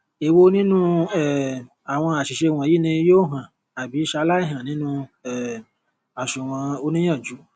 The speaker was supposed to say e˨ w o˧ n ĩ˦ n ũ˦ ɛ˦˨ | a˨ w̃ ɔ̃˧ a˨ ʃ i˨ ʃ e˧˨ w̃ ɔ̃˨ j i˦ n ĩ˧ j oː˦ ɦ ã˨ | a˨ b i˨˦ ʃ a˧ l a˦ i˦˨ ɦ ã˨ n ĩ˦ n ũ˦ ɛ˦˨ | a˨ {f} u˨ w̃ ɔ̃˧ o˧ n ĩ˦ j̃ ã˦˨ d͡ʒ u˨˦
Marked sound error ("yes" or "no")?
yes